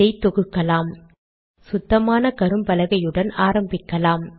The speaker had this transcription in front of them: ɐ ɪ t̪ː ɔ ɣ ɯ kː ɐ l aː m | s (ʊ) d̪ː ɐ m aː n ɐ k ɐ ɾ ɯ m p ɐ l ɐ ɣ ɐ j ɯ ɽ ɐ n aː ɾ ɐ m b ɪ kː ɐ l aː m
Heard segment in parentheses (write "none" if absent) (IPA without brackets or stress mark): ʊ